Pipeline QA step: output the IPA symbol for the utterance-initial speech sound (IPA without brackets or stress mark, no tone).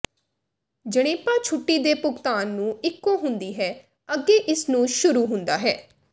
d͡ʒ